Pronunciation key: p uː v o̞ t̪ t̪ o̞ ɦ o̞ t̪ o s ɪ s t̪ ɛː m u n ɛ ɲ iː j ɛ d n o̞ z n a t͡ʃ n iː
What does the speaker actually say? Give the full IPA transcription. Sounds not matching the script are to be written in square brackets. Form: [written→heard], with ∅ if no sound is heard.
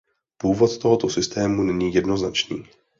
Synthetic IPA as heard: p uː v o̞ t̪ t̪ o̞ ɦ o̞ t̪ o s ɪ s t̪ ɛː m u n ɛ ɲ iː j ɛ d n o̞ z n a t͡ʃ n iː

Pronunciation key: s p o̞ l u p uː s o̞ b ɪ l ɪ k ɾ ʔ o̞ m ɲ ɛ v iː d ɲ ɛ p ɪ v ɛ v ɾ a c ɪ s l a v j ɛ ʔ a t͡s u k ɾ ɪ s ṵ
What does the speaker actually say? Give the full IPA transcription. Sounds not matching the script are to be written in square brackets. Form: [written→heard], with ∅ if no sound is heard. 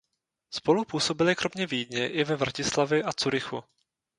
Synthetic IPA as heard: s p o̞ l u p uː s o̞ b ɪ l ɪ k ɾ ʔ o̞ m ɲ ɛ v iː d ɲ ɛ [p→ʔ] ɪ v ɛ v ɾ a c ɪ s l a v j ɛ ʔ a t͡s u [k→∅] ɾ ɪ [s→x] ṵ

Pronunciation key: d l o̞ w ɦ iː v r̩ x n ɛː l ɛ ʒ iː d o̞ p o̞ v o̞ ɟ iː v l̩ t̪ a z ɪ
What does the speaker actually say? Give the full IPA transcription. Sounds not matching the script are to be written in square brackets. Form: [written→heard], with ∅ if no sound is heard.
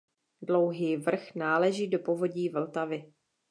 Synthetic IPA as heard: d l o̞ w ɦ iː v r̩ x n [ɛː→aː] l ɛ ʒ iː d o̞ p o̞ v o̞ ɟ iː v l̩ t̪ a [z→v] ɪ

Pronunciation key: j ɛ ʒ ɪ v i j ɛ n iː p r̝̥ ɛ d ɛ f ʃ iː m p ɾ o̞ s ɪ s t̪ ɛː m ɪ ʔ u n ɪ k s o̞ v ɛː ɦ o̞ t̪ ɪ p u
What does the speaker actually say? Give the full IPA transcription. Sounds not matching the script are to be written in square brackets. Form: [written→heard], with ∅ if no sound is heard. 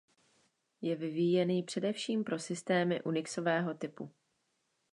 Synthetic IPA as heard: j ɛ [ʒ→v] ɪ v i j ɛ n iː p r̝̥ ɛ d ɛ f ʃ iː m p ɾ o̞ s ɪ s t̪ ɛː m ɪ ʔ u n ɪ k s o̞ v ɛː ɦ o̞ t̪ ɪ p u

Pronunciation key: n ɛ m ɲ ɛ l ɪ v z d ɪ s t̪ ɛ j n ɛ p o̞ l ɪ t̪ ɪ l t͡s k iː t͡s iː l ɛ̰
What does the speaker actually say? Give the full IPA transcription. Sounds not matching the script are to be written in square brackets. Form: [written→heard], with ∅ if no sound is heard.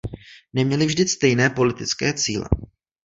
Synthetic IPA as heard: n ɛ m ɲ ɛ l ɪ v [z→ʒ] d ɪ s t̪ ɛ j n [ɛ→ɛː] p o̞ l ɪ t̪ ɪ [l→∅] t͡s k [iː→ɛː] t͡s iː l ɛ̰

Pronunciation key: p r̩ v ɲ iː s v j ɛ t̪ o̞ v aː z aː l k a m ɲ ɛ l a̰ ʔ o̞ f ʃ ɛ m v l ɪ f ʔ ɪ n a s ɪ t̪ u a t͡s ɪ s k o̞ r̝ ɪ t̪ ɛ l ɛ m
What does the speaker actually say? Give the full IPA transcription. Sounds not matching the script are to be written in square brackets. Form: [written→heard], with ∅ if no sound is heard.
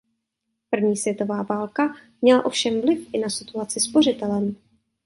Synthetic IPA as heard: p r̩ v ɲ iː s v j ɛ t̪ o̞ v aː [z→v] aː l k a m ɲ ɛ l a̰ ʔ o̞ f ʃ ɛ m v l ɪ f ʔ ɪ n a s ɪ t̪ u a t͡s ɪ s [k→p] o̞ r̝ ɪ t̪ ɛ l ɛ m

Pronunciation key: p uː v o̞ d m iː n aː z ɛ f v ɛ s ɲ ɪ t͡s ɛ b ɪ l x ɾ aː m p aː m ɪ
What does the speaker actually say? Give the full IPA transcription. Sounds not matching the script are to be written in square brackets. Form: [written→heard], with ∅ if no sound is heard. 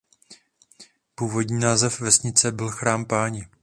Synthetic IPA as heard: p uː v o̞ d [m→ɲ] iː n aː z ɛ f v ɛ s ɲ ɪ t͡s ɛ b ɪ l x ɾ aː m p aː [m→ɲ] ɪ

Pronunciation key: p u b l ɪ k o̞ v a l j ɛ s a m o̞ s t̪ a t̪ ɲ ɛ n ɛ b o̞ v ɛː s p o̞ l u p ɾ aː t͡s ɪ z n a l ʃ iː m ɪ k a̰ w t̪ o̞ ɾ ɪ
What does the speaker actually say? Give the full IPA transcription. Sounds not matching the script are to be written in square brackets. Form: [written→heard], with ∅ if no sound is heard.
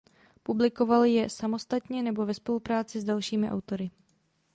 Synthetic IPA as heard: p u b l ɪ k o̞ v a l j ɛ s a m o̞ s t̪ a t̪ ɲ ɛ n ɛ b o̞ v [ɛː→ɛ] s p o̞ l u p ɾ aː t͡s ɪ z [n→d] a l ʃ iː m ɪ [k→ʔ] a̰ w t̪ o̞ ɾ ɪ

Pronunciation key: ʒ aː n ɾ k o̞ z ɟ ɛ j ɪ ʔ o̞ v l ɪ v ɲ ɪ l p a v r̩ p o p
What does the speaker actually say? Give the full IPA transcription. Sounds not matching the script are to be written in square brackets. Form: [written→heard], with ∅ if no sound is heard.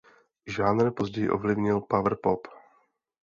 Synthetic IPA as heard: ʒ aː n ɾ [k→p] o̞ z ɟ ɛ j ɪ ʔ o̞ v l ɪ v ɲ ɪ l p a v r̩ p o p

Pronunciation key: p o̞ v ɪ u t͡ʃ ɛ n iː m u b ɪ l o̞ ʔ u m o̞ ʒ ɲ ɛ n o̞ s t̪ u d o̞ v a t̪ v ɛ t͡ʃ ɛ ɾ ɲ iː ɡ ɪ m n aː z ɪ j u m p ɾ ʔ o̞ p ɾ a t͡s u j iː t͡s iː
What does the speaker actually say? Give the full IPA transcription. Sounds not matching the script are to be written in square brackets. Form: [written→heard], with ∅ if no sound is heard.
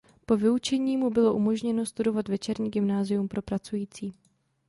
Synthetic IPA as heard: p o̞ v ɪ u t͡ʃ ɛ [n→ɲ] iː m u b ɪ l o̞ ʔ u m o̞ ʒ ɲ ɛ n o̞ s t̪ u d o̞ v a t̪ v ɛ t͡ʃ ɛ ɾ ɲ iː ɡ ɪ m n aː z ɪ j u m p ɾ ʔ o̞ p ɾ a t͡s u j iː t͡s iː

